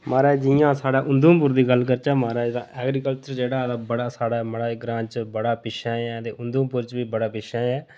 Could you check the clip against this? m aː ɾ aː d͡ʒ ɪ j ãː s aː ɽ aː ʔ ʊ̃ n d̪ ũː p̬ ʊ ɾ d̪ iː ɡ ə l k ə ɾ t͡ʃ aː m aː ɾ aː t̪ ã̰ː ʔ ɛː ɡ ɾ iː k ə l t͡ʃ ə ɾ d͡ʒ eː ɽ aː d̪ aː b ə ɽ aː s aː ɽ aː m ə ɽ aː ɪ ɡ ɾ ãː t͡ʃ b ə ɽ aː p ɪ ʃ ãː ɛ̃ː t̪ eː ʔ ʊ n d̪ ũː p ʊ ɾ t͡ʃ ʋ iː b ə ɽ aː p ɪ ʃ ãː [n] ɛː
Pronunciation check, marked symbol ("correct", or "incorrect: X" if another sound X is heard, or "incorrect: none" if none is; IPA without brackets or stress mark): incorrect: none